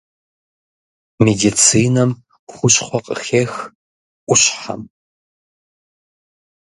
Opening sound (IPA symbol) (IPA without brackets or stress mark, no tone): m